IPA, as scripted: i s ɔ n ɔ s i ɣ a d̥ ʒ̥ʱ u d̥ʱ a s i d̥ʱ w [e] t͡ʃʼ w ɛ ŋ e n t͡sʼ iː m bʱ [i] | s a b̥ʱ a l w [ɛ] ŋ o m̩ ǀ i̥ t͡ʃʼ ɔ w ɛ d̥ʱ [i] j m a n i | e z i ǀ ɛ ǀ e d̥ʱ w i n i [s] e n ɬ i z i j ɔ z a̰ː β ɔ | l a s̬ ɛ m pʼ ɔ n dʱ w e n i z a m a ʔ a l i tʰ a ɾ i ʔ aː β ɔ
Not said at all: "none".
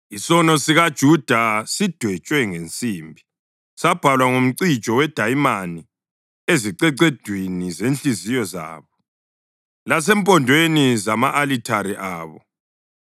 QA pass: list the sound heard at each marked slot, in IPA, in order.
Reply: ɛ, i, a, a, z

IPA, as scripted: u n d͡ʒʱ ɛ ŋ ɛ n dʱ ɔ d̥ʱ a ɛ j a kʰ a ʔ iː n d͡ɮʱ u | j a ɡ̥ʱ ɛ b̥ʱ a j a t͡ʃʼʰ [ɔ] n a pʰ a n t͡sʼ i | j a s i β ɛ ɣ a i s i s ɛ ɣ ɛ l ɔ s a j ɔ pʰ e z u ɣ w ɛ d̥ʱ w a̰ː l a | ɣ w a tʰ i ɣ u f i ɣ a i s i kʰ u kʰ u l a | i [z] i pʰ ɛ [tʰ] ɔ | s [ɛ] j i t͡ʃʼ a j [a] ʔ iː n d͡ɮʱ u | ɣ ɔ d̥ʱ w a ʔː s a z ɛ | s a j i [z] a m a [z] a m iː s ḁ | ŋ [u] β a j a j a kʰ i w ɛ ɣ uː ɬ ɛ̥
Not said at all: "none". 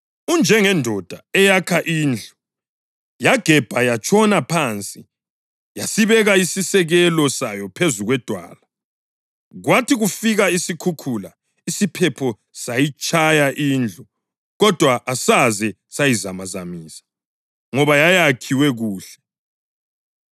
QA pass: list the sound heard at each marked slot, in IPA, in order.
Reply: ɔ, s, pʰ, a, a, z, z, ɔ

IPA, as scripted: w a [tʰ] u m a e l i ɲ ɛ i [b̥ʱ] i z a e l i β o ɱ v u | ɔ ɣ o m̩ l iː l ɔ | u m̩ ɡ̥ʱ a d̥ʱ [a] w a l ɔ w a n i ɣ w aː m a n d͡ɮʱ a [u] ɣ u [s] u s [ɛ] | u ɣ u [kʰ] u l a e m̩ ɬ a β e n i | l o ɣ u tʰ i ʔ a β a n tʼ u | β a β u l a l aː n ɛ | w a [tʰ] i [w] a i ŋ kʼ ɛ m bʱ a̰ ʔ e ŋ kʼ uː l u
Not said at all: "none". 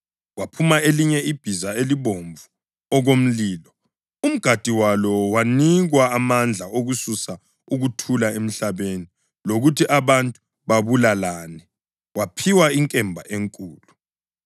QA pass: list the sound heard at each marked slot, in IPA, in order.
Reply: pʰ, b̥ʱ, i, o, s, a, tʰ, pʰ, w

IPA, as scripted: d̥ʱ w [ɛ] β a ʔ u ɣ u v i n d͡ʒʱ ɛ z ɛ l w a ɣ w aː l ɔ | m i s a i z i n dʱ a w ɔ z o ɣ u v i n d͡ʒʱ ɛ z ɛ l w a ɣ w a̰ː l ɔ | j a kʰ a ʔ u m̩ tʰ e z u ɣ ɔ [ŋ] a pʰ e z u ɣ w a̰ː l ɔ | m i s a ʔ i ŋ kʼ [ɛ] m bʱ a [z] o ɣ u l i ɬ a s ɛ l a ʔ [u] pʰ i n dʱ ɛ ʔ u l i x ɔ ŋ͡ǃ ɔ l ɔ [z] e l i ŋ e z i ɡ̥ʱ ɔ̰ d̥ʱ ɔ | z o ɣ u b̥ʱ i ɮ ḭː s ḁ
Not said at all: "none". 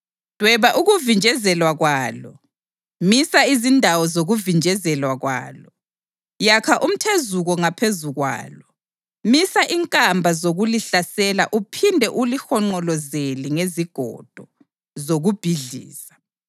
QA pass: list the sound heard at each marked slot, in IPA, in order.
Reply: ɛ, ŋ, a, z, u, z

